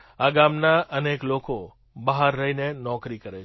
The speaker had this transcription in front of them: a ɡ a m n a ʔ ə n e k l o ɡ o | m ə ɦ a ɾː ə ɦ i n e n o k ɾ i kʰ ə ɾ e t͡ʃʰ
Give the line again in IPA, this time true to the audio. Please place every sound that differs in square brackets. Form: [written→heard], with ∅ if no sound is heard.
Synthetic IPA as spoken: a ɡ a m n a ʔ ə n e k l o [ɡ→k] o | [m→b] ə ɦ a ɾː ə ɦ i n e n [o→ɔ] k ɾ i [kʰ→k] ə ɾ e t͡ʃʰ